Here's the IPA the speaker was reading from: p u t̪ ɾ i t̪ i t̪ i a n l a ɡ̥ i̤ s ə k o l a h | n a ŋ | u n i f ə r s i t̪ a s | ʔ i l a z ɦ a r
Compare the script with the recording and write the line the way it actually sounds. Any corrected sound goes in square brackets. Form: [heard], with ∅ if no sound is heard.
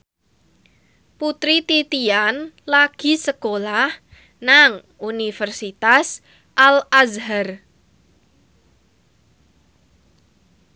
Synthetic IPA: p u t̪ ɾ i t̪ i t̪ i a n l a ɡ̥ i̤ s ə k o l a h | n a ŋ | u n i f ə r s i t̪ a s | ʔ [a] l a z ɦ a r